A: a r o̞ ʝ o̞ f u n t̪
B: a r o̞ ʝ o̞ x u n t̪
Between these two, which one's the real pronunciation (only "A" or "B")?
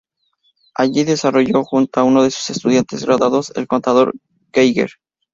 B